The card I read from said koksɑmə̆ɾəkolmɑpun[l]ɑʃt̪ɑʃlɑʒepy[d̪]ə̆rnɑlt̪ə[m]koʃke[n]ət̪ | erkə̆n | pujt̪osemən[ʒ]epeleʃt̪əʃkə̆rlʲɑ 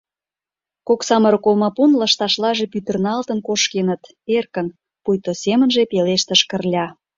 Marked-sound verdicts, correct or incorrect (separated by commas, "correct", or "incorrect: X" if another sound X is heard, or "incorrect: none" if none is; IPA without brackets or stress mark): correct, incorrect: t̪, incorrect: n, correct, correct